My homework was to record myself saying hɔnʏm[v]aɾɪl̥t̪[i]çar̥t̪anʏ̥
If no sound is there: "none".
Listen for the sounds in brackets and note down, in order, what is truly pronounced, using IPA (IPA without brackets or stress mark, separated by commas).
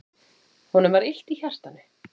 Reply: v, i